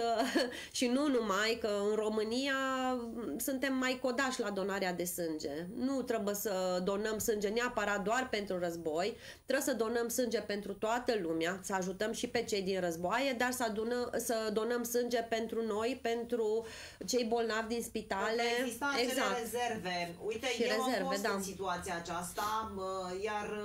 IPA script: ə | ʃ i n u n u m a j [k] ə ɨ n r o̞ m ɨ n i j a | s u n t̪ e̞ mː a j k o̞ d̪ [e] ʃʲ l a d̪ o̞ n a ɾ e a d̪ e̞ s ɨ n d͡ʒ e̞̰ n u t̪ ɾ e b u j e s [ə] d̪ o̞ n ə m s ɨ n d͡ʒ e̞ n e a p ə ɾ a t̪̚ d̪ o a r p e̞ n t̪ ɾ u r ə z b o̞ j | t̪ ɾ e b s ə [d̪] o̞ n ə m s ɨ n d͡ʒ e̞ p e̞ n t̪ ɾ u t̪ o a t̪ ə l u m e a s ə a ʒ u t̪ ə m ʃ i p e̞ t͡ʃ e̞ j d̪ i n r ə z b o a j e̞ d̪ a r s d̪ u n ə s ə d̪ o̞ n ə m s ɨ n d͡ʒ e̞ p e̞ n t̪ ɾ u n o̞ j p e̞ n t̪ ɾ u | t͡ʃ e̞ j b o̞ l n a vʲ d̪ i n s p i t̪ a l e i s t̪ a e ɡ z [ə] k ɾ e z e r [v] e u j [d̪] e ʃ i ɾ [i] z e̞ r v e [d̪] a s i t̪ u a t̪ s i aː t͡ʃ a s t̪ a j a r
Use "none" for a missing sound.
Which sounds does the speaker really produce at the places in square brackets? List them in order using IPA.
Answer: k, a, ə, d̪, a, v, t̪, e, d̪

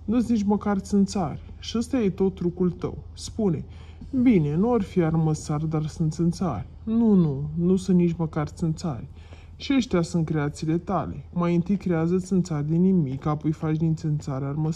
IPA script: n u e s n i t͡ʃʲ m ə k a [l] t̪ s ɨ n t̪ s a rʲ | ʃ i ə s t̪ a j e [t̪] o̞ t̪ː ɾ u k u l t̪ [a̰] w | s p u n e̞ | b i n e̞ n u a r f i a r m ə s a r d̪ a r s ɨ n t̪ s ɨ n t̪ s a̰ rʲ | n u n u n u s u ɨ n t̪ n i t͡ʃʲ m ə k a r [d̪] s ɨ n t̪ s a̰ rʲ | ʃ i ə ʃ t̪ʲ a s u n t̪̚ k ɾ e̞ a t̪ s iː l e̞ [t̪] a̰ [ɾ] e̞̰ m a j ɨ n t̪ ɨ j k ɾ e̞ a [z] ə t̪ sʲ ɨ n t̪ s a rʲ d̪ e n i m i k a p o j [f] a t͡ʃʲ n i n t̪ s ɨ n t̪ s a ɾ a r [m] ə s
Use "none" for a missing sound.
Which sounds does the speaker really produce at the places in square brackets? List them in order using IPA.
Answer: r, t̪, ə̰, t̪, t̪, l, z, f, m

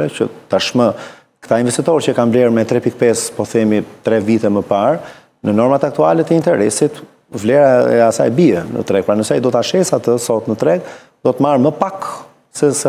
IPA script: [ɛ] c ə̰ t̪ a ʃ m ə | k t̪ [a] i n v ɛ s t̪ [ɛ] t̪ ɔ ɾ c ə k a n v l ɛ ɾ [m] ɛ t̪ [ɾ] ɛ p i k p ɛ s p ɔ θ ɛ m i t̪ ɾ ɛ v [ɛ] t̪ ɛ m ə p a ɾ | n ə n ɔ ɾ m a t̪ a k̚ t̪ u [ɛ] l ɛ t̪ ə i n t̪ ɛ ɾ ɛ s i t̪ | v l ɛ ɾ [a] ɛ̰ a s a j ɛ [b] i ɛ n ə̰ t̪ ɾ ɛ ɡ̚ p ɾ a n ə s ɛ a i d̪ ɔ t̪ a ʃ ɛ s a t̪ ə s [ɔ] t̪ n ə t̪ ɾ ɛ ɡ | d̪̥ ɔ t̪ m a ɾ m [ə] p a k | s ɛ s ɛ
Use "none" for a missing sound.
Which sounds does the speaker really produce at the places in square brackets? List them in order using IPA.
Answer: ɛ, a, i, m, ɾ, i, a, a, b, ɔ, ə

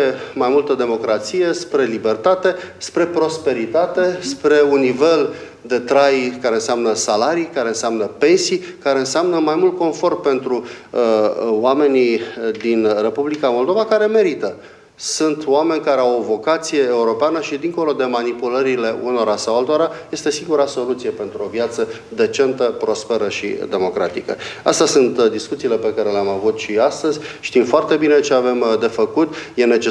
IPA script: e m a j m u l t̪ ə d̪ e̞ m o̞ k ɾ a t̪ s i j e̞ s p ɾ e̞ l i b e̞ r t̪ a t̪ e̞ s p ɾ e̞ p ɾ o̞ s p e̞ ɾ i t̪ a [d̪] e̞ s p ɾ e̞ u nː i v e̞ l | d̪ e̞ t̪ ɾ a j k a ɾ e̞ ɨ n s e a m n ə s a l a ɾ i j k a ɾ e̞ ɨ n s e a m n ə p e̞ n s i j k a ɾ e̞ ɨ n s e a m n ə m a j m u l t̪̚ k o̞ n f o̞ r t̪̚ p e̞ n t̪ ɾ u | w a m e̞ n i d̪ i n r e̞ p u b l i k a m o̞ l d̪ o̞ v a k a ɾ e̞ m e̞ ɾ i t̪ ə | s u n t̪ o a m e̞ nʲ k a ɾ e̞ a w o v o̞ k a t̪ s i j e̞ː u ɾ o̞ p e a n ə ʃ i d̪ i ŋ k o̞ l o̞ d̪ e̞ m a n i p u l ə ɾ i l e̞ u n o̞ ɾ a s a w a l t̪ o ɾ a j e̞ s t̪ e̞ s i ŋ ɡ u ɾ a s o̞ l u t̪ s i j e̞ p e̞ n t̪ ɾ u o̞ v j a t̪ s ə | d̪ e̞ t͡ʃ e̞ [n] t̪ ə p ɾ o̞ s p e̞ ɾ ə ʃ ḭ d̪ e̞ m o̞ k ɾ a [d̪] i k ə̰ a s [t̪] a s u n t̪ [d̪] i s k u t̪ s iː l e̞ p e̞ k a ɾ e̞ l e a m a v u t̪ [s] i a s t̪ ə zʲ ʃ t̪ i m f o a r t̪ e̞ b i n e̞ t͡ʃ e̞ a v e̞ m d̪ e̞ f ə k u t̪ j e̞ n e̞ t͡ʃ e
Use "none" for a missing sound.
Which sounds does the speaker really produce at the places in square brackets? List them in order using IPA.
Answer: t̪, n, t̪, t̪, d̪, ʃ

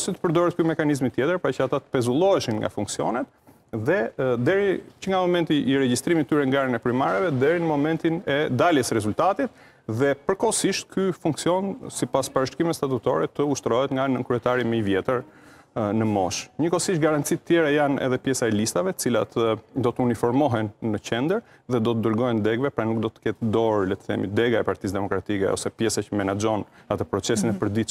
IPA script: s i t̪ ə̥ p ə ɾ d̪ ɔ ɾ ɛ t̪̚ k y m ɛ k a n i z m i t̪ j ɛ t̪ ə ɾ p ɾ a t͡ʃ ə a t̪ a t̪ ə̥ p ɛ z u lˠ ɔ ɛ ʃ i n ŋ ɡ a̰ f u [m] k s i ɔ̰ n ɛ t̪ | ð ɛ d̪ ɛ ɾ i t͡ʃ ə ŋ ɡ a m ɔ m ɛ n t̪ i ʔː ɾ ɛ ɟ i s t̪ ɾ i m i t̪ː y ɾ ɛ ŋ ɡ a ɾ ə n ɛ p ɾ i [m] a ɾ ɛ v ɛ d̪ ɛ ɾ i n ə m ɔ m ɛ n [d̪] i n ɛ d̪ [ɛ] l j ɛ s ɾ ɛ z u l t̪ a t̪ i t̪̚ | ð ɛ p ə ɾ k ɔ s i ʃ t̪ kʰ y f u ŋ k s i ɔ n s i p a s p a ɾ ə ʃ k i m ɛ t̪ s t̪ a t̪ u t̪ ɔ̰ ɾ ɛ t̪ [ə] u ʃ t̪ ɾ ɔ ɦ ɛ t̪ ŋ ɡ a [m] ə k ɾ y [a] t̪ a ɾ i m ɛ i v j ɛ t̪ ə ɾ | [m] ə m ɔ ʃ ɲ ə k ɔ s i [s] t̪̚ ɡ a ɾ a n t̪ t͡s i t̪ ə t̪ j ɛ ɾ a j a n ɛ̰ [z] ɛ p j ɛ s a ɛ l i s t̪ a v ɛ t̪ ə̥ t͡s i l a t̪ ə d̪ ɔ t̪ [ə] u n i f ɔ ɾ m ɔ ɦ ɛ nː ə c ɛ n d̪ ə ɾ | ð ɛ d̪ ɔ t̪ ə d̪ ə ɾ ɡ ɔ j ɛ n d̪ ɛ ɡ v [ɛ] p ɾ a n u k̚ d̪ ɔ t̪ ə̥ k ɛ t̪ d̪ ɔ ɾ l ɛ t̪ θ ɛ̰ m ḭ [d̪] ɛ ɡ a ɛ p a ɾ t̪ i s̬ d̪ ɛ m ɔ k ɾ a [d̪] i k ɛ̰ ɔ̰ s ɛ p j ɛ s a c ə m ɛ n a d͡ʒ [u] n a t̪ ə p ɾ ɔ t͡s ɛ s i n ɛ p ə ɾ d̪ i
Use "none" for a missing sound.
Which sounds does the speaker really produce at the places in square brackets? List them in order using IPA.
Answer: ŋ, m, t̪, a, ə, n, ɛ, n, ʃ, ð, ə, ɛ, d̪, t̪, ɔ

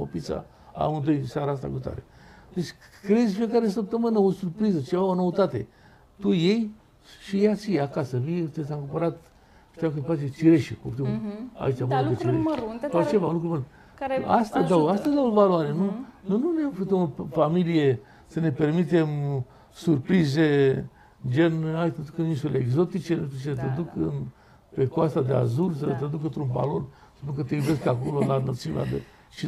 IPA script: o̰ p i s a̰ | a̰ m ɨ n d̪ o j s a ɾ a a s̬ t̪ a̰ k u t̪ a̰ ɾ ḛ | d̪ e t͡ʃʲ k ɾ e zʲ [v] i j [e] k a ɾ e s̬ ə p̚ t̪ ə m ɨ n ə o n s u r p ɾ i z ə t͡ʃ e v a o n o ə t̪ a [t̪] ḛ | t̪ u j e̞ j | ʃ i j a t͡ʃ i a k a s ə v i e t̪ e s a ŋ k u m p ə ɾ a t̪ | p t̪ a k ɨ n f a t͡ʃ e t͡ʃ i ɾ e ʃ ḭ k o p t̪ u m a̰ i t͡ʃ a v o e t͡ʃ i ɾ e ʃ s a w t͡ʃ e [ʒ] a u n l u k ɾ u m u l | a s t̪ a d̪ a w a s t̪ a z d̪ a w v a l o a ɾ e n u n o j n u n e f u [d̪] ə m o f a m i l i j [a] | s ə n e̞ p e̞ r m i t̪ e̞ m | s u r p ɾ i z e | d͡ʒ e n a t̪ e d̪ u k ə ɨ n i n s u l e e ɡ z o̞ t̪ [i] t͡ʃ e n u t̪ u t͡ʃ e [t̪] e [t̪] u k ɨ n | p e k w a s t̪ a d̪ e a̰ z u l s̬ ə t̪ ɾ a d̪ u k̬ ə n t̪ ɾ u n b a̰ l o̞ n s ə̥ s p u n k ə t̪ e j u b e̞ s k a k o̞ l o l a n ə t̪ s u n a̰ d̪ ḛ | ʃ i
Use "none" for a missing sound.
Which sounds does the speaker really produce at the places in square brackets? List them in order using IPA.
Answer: f, e, t̪, v, t̪, e, i, t̪, d̪

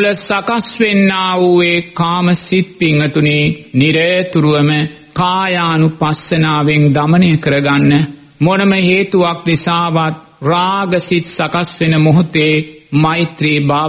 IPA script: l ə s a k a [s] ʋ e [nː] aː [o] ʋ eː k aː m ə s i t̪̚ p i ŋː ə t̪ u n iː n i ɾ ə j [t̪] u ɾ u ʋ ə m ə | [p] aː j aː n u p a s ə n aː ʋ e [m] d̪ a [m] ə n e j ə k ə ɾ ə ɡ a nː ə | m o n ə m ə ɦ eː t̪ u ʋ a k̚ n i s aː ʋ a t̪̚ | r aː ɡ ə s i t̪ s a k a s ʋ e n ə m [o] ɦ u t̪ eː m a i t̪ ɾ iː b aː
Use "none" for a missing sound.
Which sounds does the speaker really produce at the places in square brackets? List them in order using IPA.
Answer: s, nː, u, t̪, k, ŋ, m, o

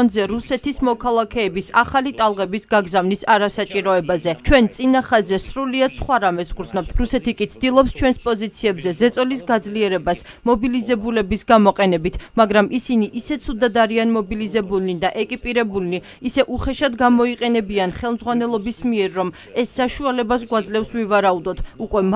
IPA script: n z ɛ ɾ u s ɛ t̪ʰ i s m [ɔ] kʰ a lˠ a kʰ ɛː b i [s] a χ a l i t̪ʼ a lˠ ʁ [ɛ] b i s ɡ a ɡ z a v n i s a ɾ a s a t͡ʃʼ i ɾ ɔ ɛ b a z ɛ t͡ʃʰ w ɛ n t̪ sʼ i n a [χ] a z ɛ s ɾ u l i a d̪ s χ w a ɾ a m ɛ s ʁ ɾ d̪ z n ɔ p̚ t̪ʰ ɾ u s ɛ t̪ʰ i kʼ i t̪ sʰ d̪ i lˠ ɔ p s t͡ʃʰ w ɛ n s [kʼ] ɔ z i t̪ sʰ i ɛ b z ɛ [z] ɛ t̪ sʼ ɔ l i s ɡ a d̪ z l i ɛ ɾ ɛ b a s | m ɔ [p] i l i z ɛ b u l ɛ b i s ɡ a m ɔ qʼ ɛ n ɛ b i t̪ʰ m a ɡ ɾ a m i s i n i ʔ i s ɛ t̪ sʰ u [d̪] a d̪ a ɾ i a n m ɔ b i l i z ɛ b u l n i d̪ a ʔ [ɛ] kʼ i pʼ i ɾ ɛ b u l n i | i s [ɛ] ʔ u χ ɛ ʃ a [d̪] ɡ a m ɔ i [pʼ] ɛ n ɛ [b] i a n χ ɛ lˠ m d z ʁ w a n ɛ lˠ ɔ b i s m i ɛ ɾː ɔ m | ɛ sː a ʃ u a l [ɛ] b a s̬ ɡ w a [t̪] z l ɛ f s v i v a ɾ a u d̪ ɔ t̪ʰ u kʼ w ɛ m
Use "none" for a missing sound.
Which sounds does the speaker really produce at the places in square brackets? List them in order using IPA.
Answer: ɔ, s, ɛ, χ, pʼ, z, b, d̪, ɛ, ɛ, d̪, qʼ, b, ɛ, d̪

